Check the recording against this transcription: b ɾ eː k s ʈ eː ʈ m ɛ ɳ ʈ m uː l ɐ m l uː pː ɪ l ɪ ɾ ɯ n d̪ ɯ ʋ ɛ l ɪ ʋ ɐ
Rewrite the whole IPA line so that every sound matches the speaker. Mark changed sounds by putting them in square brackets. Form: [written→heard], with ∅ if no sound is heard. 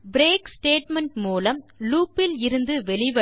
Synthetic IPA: b ɾ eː k s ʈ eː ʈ m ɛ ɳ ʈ m uː l ɐ m l uː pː ɪ l ɪ ɾ ɯ n d̪ ɯ ʋ ɛ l ɪ ʋ ɐ

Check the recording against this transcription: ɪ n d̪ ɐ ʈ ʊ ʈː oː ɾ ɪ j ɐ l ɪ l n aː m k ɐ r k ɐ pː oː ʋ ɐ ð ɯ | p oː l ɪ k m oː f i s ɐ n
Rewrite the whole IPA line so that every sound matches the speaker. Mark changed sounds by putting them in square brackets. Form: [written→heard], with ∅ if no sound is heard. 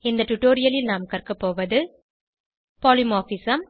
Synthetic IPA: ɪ n d̪ ɐ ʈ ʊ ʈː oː ɾ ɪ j ɐ l ɪ l n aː m k ɐ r k ɐ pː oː ʋ ɐ ð ɯ | p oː l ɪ [k→∅] m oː f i s ɐ [n→m]

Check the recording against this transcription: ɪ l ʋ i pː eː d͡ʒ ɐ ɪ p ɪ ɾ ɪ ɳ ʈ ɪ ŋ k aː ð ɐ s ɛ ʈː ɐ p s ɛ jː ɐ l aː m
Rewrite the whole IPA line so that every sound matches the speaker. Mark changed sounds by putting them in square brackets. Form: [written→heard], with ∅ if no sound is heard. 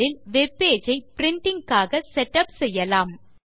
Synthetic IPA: ɪ l ʋ [i→ɛ] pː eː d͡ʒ ɐ ɪ p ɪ ɾ ɪ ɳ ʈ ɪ ŋ k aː [ð→ɣ] ɐ s ɛ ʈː ɐ p s ɛ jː ɐ l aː m

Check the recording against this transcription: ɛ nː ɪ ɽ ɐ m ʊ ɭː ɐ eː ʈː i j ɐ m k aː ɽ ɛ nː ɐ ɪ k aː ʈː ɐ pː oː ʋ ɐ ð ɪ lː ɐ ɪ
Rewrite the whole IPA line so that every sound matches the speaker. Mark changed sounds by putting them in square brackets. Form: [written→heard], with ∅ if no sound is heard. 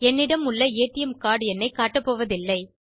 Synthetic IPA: ɛ nː ɪ ɽ ɐ m ʊ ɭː ɐ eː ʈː [i→ɪ] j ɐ m k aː ɽ ɛ nː ɐ ɪ k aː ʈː ɐ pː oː ʋ ɐ ð ɪ lː ɐ ɪ

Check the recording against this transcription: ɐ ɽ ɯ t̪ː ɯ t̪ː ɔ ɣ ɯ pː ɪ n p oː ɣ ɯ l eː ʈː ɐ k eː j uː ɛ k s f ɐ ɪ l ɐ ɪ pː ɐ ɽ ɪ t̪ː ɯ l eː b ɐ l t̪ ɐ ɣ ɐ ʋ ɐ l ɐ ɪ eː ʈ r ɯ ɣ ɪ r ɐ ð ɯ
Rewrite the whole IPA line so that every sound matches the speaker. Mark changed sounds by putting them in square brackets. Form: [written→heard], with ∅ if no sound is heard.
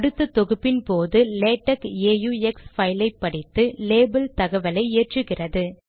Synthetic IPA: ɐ ɽ ɯ t̪ː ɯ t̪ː ɔ ɣ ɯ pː ɪ n p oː [ɣ→ð] ɯ l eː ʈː ɐ k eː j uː ɛ k s f ɐ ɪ l ɐ ɪ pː ɐ ɽ ɪ t̪ː ɯ l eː b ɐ l t̪ ɐ ɣ ɐ ʋ ɐ l ɐ ɪ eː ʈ r ɯ ɣ ɪ r ɐ ð ɯ

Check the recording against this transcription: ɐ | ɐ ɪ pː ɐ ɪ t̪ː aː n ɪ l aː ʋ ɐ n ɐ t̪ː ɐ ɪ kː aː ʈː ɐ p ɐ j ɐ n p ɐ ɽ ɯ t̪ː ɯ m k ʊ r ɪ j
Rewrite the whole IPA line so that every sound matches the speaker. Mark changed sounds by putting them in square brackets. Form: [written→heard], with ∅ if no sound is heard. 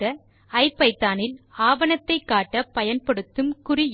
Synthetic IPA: ɐ | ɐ ɪ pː ɐ ɪ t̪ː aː n ɪ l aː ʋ ɐ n ɐ t̪ː ɐ ɪ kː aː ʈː ɐ p ɐ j ɐ n p ɐ ɽ ɯ t̪ː ɯ m k ʊ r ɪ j

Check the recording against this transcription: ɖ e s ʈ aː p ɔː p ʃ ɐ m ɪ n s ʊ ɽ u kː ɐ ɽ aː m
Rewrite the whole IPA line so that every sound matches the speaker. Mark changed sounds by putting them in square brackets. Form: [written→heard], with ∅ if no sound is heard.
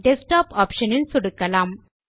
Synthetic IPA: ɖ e s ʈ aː p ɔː p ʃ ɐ [m→n] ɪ n s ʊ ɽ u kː ɐ [ɽ→l] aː m

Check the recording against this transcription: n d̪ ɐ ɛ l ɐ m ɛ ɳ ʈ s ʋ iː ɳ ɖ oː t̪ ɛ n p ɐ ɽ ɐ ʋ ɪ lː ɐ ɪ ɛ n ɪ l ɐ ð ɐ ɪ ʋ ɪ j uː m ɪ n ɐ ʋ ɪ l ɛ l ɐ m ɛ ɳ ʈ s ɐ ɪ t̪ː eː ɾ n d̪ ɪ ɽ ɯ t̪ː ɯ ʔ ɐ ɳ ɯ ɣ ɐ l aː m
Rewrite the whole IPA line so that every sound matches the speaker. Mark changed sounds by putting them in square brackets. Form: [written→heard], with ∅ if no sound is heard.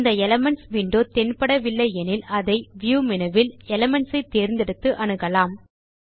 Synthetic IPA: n d̪ ɐ ɛ l ɐ m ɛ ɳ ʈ s ʋ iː ɳ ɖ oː t̪ ɛ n p ɐ ɽ ɐ ʋ ɪ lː ɐ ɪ ɛ n ɪ l ɐ ð ɐ ɪ ʋ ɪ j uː m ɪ n ɐ ʋ ɪ l ɛ l ɐ m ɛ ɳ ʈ s ɐ ɪ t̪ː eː ɾ n d̪ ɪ ɽ ɯ t̪ː ɯ ʔ ɐ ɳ ɯ ɣ ɐ l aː m

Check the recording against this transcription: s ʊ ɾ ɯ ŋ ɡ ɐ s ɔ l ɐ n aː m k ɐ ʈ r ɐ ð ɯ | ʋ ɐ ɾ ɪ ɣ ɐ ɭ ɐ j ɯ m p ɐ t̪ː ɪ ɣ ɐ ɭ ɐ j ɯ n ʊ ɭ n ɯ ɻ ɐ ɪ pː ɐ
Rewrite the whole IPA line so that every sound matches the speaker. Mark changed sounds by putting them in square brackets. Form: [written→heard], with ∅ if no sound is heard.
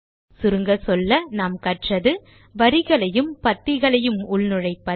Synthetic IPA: s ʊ ɾ ɯ ŋ ɡ ɐ s ɔ [l→lː] ɐ n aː m k ɐ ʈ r ɐ ð ɯ | ʋ ɐ ɾ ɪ ɣ ɐ ɭ ɐ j ɯ m p ɐ t̪ː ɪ ɣ ɐ ɭ ɐ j ɯ [n→m] ʊ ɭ n ɯ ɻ ɐ ɪ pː ɐ

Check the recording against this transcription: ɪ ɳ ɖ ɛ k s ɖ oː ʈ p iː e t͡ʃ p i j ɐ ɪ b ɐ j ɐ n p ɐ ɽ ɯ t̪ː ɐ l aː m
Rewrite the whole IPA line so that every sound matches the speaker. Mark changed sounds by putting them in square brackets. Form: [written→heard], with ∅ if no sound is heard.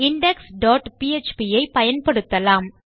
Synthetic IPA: ɪ ɳ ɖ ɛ k s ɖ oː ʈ p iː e t͡ʃ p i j ɐ ɪ [b→p] ɐ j ɐ n p ɐ ɽ ɯ t̪ː ɐ l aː m

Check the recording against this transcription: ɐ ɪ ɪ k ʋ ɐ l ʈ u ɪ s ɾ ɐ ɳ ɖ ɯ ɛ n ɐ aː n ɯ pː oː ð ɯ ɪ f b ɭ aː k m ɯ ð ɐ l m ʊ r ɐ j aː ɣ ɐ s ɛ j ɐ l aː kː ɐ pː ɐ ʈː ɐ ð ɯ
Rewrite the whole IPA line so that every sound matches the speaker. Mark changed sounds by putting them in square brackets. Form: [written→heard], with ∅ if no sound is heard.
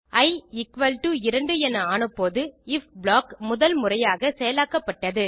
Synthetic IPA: ɐ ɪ ɪ k ʋ ɐ l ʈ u ɪ [s→∅] ɾ ɐ ɳ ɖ ɯ ɛ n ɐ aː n ɯ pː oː ð ɯ ɪ f b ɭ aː k m [ɯ→ʊ] ð ɐ l m ʊ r ɐ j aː ɣ ɐ s ɛ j ɐ l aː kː ɐ pː ɐ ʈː ɐ ð ɯ

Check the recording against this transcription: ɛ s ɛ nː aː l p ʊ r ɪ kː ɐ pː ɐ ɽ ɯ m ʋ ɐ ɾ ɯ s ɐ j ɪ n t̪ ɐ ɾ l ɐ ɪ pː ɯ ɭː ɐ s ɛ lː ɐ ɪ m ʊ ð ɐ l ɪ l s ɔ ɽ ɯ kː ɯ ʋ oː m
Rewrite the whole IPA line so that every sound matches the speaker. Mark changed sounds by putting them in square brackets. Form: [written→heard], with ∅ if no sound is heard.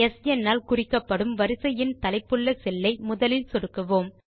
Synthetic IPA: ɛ s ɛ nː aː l [p→k] ʊ r ɪ kː ɐ pː ɐ ɽ ɯ m ʋ ɐ ɾ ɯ s ɐ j ɪ n t̪ ɐ [ɾ→∅] l ɐ ɪ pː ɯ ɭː ɐ s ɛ lː ɐ ɪ m ʊ ð ɐ l ɪ l s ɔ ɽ ɯ kː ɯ ʋ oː m

